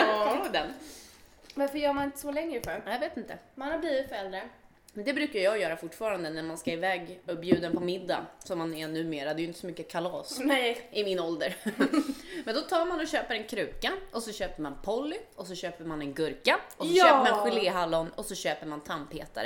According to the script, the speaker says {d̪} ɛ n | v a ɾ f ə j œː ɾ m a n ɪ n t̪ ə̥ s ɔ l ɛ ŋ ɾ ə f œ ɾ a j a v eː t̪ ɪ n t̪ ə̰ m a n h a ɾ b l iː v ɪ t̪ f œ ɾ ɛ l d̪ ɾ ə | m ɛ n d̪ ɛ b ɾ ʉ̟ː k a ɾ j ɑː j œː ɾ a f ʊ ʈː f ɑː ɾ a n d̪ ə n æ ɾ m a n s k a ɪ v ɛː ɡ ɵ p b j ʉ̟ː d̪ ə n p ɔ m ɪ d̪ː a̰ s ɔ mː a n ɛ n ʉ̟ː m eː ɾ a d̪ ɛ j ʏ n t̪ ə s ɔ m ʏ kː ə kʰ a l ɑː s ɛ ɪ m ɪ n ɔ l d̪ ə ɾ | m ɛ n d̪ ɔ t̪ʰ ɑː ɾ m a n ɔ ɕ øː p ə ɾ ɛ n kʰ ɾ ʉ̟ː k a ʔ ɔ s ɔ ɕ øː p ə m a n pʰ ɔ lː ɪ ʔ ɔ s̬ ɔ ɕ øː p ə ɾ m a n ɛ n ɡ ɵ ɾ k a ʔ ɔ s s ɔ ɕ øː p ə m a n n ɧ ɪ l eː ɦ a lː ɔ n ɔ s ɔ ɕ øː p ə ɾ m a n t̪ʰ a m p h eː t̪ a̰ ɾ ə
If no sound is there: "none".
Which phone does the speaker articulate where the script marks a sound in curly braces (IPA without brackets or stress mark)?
d̪